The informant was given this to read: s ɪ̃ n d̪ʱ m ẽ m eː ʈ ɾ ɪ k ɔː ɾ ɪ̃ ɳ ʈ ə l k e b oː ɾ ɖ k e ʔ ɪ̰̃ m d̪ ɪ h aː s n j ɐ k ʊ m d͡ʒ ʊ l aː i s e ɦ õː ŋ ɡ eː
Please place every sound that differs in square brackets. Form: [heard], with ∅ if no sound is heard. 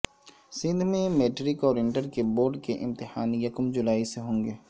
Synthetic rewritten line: s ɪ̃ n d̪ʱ m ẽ m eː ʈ ɾ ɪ k ɔː ɾ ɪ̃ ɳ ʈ ə [ɾ] k e b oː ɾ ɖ k e ʔ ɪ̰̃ m [t̪] ɪ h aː [∅] n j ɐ k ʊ m d͡ʒ ʊ l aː i s e ɦ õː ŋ ɡ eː